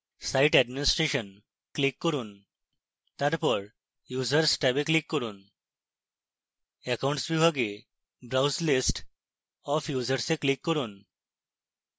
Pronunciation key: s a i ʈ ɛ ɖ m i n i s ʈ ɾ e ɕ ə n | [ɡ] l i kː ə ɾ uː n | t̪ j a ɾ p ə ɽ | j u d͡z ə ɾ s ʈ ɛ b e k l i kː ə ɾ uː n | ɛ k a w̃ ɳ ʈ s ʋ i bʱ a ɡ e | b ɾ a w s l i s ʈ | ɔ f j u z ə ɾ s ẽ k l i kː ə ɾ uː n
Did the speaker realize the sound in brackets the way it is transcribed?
no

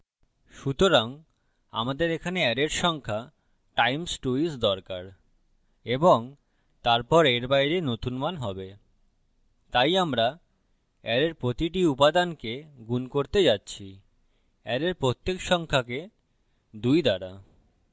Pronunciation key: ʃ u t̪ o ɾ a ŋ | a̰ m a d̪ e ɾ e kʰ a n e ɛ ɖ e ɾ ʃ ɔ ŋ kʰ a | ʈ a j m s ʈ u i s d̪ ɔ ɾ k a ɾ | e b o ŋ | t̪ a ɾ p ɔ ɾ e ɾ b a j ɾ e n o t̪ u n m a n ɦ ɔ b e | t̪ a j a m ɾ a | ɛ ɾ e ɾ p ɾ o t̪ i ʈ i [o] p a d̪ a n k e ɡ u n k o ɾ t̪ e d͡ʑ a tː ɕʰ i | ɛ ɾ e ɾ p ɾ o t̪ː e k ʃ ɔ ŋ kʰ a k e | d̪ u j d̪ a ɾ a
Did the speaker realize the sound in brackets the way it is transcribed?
no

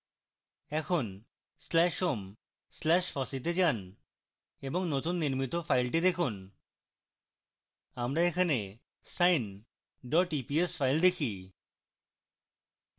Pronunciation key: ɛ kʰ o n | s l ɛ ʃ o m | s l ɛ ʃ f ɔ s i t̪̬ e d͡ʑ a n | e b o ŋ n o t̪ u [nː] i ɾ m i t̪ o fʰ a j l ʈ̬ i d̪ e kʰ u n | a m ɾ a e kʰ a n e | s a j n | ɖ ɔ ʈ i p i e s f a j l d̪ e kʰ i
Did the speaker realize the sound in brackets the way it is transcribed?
yes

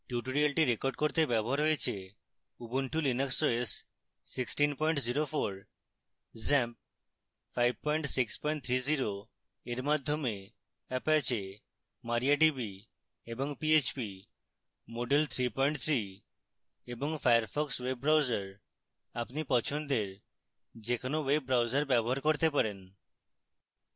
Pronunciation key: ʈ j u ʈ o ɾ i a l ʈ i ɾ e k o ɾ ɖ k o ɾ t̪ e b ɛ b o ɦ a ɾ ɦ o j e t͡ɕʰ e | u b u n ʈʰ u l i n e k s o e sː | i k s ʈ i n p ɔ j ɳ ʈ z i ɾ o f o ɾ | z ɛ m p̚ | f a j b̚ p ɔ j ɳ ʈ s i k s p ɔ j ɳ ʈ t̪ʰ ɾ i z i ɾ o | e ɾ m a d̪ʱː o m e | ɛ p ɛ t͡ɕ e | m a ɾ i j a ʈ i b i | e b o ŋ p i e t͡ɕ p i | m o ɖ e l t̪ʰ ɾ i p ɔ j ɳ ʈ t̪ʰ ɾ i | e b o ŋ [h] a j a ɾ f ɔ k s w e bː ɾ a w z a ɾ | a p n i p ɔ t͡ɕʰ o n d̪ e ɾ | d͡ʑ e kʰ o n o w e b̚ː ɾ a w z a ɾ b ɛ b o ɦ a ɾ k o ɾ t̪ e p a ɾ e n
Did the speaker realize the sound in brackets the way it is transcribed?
no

